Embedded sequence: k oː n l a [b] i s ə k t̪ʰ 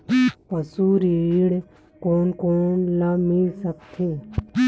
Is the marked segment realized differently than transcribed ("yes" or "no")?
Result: yes